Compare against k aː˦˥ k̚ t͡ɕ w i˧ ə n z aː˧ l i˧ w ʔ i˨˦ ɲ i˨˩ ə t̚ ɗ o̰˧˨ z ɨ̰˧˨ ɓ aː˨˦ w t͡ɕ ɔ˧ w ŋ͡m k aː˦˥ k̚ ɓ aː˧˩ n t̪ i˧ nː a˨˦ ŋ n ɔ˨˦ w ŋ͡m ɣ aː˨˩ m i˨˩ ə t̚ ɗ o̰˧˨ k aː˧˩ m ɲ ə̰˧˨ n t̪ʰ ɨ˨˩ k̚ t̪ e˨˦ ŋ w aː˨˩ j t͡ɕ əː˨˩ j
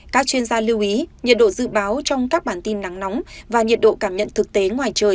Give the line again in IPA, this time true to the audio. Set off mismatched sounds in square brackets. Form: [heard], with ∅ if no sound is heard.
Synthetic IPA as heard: k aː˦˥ k̚ t͡ɕ w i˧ ə n z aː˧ l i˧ w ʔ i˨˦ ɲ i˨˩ ə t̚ ɗ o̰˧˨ z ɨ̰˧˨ ɓ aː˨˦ w t͡ɕ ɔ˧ w ŋ͡m k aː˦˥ k̚ ɓ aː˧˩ n t̪ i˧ nː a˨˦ ŋ n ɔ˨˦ w ŋ͡m [v] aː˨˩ [ɲ] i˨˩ ə t̚ ɗ o̰˧˨ k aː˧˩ m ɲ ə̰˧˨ n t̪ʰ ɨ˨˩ k̚ t̪ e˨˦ ŋ w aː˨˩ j t͡ɕ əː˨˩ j

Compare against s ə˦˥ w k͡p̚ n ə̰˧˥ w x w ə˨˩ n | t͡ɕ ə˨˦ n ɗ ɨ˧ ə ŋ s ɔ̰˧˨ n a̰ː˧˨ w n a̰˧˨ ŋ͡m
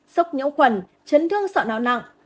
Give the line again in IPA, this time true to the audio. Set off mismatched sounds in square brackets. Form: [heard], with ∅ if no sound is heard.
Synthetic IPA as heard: s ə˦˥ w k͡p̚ [ɲ] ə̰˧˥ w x w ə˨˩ n | t͡ɕ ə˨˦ n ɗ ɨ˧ ə ŋ s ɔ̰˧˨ n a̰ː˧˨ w n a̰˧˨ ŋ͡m

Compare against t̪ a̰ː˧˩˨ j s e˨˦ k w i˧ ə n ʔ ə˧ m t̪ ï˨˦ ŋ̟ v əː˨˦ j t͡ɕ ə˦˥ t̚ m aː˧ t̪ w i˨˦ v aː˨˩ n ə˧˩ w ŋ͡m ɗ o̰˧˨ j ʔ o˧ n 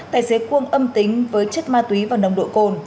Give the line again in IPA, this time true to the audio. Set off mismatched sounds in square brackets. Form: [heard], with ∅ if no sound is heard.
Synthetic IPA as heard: t̪ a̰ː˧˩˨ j s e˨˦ k w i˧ ə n ʔ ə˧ m t̪ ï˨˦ ŋ̟ v əː˨˦ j t͡ɕ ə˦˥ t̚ m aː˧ t̪ w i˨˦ v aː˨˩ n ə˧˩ w ŋ͡m ɗ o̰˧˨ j [k] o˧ n

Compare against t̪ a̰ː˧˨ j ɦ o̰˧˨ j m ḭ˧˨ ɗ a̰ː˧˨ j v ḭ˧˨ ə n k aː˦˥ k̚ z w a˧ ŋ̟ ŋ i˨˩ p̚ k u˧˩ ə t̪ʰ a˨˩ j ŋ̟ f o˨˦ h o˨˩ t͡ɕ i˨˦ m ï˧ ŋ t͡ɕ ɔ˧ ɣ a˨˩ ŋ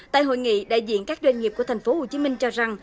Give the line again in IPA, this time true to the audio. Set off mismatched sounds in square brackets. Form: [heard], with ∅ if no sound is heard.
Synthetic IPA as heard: t̪ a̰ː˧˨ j ɦ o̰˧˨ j [ŋ] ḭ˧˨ ɗ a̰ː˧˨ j [z] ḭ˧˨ ə n k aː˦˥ k̚ z w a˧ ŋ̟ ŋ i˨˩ p̚ k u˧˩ ə t̪ʰ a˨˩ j ŋ̟ f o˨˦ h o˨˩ t͡ɕ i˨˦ m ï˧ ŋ t͡ɕ ɔ˧ [z] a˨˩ ŋ

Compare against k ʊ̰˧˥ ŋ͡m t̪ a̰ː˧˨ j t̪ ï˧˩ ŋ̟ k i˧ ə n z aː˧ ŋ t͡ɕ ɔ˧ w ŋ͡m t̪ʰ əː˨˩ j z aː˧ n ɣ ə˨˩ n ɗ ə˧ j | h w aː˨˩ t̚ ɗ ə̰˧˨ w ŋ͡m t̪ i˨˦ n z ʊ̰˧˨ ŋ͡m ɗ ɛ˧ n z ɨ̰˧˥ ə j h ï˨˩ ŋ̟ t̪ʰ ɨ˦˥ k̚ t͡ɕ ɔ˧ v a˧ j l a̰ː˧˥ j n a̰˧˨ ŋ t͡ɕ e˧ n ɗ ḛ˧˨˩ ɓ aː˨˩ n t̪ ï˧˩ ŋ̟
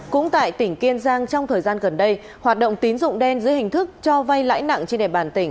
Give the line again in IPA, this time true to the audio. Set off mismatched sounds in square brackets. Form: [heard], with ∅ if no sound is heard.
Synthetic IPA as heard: k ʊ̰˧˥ ŋ͡m t̪ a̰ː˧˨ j t̪ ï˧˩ ŋ̟ k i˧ ə n z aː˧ ŋ t͡ɕ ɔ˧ w ŋ͡m t̪ʰ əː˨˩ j z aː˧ n ɣ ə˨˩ n ɗ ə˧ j | h w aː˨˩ t̚ ɗ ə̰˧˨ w ŋ͡m t̪ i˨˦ n z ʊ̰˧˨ ŋ͡m ɗ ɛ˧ n z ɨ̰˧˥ ə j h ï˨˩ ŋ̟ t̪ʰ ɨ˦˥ k̚ t͡ɕ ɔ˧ v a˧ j l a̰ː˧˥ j n a̰˧˨ ŋ t͡ɕ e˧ n ɗ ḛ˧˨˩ ɓ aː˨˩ n t̪ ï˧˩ ŋ̟

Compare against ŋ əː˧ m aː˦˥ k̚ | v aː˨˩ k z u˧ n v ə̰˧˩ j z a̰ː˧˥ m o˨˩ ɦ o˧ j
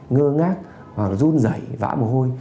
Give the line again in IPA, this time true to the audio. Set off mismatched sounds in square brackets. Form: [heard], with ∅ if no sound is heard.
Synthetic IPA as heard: ŋ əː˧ [ŋ] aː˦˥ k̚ | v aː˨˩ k z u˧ n [z] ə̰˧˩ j [v] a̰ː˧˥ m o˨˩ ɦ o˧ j

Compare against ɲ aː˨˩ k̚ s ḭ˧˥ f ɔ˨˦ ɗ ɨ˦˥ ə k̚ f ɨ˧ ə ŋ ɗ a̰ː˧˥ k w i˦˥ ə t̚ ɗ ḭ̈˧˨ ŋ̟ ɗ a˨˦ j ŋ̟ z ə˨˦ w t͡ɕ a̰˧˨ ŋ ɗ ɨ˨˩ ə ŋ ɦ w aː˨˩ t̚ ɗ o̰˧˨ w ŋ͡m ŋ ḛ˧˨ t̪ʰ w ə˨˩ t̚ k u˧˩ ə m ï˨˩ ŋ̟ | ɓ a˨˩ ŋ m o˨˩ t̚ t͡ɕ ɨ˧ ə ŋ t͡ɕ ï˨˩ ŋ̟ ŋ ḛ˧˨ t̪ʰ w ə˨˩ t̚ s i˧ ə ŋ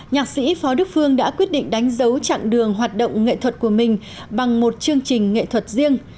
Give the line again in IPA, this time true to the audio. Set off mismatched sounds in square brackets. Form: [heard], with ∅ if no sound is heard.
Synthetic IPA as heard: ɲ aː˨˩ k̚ s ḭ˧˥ f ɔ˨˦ ɗ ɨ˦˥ ə k̚ f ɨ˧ ə ŋ ɗ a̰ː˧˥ k w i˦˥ ə t̚ ɗ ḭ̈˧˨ ŋ̟ ɗ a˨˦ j ŋ̟ z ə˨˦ w t͡ɕ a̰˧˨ ŋ ɗ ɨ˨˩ ə ŋ ɦ w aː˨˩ t̚ ɗ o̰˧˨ w ŋ͡m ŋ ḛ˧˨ t̪ʰ w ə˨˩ t̚ k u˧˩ ə m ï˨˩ ŋ̟ | ɓ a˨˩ ŋ m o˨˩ t̚ t͡ɕ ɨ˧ ə ŋ t͡ɕ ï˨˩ ŋ̟ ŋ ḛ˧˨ t̪ʰ w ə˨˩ t̚ [z] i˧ ə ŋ

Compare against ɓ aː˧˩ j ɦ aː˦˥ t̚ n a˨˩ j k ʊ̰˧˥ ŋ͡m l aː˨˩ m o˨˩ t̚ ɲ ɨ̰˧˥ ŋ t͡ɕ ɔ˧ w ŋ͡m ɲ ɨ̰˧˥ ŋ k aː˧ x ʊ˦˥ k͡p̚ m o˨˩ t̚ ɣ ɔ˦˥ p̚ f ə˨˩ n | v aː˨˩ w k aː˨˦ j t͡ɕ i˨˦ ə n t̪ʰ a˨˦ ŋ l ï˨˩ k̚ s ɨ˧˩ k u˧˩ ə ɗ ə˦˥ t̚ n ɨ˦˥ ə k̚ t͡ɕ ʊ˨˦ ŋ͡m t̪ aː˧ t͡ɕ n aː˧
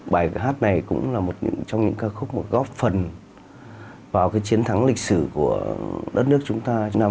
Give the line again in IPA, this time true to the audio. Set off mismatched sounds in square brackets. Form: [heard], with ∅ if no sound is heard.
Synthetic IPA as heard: ɓ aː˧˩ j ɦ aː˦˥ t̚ n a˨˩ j k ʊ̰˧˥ ŋ͡m l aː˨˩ m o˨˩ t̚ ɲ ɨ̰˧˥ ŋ t͡ɕ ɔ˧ w ŋ͡m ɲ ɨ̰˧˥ ŋ k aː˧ x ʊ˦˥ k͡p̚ m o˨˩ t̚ ɣ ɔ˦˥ p̚ f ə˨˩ n | v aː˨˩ w k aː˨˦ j t͡ɕ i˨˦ ə n t̪ʰ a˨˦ ŋ l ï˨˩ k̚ s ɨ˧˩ k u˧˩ ə ɗ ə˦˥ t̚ n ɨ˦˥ ə k̚ t͡ɕ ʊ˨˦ ŋ͡m t̪ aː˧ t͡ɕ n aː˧

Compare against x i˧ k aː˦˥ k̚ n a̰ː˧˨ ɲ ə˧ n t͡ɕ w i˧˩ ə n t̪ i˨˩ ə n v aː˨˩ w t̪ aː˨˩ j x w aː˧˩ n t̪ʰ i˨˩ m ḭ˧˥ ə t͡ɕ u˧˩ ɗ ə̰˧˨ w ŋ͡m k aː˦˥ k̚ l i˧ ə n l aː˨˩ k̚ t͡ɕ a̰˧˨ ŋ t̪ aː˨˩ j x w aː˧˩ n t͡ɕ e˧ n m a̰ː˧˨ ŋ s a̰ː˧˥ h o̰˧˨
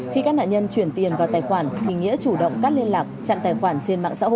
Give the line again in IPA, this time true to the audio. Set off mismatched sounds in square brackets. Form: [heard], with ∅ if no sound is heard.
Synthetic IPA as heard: x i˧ k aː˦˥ k̚ n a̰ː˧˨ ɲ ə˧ n t͡ɕ w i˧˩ ə n t̪ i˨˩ ə n v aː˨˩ w t̪ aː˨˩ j x w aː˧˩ n t̪ʰ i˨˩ [ŋ] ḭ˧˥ ə t͡ɕ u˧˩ ɗ ə̰˧˨ w ŋ͡m k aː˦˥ k̚ l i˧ ə n l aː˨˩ k̚ t͡ɕ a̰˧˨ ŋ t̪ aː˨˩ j x w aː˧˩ n t͡ɕ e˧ n m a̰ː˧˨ ŋ s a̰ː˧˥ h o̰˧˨

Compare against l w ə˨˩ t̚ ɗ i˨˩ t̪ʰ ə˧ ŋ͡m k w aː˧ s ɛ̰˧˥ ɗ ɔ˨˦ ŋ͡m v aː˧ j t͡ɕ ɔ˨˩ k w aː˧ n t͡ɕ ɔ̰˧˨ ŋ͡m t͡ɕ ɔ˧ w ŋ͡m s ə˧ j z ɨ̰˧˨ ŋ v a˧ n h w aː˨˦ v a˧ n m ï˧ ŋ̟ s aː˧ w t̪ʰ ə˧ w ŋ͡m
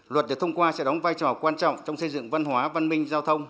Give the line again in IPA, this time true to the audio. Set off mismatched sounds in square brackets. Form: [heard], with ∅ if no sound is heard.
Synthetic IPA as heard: l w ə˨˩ t̚ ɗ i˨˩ t̪ʰ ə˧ ŋ͡m k w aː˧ s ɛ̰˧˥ ɗ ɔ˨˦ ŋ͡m v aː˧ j t͡ɕ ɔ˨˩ k w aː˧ n t͡ɕ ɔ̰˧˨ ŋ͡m t͡ɕ ɔ˧ w ŋ͡m s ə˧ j z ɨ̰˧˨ ŋ v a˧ n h w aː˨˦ v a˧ n m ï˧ ŋ̟ [z] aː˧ w t̪ʰ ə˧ w ŋ͡m

